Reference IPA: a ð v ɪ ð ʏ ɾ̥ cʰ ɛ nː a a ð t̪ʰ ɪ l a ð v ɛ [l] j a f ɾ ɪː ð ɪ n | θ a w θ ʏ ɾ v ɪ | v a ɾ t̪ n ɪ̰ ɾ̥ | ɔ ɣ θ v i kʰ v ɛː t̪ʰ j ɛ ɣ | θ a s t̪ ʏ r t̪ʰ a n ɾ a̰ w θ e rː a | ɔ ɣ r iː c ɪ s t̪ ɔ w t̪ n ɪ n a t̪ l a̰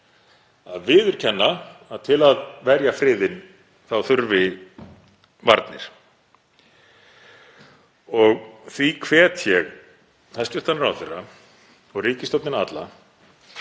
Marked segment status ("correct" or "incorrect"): incorrect